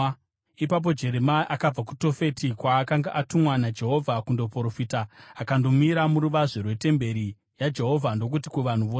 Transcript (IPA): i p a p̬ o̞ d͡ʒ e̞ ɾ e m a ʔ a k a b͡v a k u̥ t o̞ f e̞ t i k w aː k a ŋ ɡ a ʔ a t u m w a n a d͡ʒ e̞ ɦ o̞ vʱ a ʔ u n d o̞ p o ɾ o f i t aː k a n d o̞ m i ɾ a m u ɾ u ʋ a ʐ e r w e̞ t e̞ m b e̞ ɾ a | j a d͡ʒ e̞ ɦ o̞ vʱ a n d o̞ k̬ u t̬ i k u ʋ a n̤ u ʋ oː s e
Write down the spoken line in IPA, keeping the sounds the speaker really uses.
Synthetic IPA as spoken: i p a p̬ o̞ d͡ʒ e̞ ɾ e m a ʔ a k a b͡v a k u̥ t o̞ f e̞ t i k w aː k a ŋ ɡ a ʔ a t u m w a n a d͡ʒ e̞ ɦ o̞ vʱ a k u n d o̞ p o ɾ o f i t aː k a n d o̞ m i ɾ a m u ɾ u ʋ a ʐ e r w e̞ t e̞ m b e̞ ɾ i | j a d͡ʒ e̞ ɦ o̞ vʱ a n d o̞ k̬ u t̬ i k u ʋ a n̤ u ʋ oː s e